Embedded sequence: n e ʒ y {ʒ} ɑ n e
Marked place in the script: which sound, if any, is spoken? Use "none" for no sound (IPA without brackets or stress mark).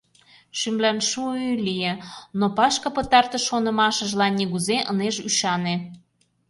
ʃ